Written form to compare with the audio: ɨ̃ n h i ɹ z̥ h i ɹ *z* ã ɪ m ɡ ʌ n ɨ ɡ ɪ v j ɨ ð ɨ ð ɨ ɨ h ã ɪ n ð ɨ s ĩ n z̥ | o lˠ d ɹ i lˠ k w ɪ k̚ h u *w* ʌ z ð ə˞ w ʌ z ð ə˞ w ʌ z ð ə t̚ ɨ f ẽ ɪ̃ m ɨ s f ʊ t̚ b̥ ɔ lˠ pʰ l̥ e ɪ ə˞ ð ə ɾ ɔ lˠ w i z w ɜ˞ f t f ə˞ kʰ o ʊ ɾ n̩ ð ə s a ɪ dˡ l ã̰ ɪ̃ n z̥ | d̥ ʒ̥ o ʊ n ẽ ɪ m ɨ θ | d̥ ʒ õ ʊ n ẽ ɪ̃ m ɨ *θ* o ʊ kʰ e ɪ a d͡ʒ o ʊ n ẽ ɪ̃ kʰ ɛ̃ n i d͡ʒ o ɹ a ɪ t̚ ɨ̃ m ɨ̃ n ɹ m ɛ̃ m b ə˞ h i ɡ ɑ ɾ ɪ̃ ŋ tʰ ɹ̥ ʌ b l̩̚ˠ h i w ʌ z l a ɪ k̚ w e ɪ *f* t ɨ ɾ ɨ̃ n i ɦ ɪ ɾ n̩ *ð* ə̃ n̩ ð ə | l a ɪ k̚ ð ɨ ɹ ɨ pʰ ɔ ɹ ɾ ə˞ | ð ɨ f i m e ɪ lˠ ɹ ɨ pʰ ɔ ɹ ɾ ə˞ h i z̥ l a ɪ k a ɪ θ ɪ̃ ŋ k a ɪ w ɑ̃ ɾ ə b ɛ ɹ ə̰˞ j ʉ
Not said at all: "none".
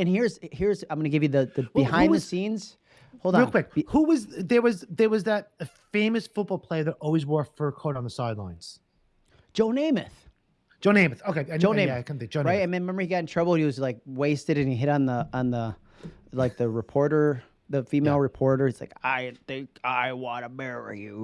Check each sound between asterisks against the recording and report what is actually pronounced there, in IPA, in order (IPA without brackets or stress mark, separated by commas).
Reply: z, w, θ, s, ð